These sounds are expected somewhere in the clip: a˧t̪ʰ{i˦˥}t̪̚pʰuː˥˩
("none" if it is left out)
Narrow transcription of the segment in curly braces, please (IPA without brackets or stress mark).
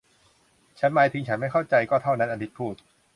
i˦˥